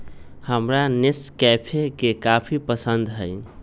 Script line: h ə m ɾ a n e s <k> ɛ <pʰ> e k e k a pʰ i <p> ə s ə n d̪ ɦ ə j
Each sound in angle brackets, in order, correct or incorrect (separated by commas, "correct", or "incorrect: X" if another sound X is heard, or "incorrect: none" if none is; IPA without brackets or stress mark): correct, correct, correct